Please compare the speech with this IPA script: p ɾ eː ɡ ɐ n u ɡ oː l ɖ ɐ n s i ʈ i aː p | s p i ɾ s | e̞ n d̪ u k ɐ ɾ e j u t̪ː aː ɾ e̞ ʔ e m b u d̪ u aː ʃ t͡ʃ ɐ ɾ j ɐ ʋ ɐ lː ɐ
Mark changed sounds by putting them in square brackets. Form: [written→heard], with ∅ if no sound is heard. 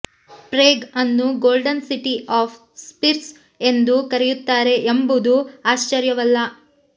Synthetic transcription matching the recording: p ɾ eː ɡ ɐ [n→nː] u ɡ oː l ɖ ɐ n s i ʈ i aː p | s p i ɾ s | e̞ n d̪ u k ɐ ɾ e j u t̪ː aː ɾ e̞ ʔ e m b u d̪ u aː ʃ t͡ʃ ɐ ɾ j ɐ ʋ ɐ lː ɐ

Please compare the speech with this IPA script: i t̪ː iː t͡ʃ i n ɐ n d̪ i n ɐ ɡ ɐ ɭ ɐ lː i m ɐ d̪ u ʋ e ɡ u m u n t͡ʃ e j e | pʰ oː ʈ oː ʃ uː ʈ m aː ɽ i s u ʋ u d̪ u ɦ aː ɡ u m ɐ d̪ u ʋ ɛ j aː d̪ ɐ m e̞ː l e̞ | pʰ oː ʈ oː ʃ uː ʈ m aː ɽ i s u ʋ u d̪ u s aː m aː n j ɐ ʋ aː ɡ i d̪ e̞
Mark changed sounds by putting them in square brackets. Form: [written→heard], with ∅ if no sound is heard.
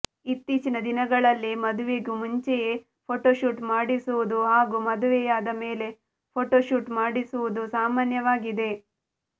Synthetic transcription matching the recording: i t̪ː iː t͡ʃ i n ɐ [n→∅] d̪ i n ɐ ɡ ɐ ɭ ɐ lː i m ɐ d̪ u ʋ e ɡ u m u [n→ɲ] t͡ʃ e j e | pʰ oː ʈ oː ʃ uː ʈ m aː ɽ i s u ʋ u d̪ u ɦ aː ɡ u m ɐ d̪ u ʋ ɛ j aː d̪ ɐ m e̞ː l e̞ | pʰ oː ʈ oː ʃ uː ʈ m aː ɽ i s u ʋ u d̪ u s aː m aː n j ɐ ʋ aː ɡ i d̪ e̞

